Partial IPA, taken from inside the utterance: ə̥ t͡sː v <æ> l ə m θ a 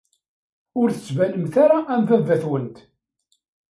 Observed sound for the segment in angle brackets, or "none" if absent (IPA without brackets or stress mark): æ